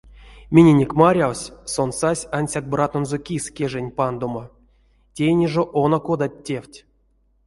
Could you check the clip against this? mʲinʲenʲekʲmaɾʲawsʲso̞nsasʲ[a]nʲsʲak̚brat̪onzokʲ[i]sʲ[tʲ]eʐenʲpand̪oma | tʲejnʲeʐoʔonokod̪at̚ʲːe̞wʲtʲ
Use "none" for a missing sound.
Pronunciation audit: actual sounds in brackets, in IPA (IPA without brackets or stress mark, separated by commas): a, i, kʲ